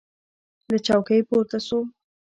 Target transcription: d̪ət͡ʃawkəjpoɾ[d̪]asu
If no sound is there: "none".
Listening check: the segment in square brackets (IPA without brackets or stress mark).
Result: t̪